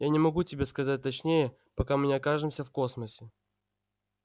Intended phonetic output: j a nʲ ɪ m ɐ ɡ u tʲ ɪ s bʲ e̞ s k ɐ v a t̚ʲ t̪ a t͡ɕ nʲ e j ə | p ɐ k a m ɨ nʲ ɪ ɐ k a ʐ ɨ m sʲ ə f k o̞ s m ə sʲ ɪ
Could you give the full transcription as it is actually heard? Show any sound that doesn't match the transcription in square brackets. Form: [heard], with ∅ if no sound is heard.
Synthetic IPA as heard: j a nʲ ɪ m ɐ ɡ u tʲ ɪ [∅] bʲ e̞ s k ɐ [z] a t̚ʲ t̪ [ɐ] t͡ɕ nʲ e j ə | p ɐ k a m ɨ nʲ ɪ ɐ k a ʐ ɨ m sʲ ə f k o̞ s m ə sʲ ɪ